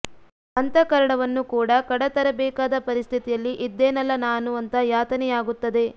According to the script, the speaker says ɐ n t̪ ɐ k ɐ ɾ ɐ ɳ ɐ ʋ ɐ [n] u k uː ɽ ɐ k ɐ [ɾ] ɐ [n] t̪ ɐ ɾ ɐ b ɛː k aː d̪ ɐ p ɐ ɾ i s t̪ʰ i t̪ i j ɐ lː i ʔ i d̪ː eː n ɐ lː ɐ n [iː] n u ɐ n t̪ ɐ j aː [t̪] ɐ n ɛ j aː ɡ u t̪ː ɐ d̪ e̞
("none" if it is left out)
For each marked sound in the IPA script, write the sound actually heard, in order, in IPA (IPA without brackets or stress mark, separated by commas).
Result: nː, ɽ, none, aː, t̪